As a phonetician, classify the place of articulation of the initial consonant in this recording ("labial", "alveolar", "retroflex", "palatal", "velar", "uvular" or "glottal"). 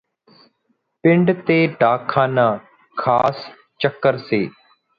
labial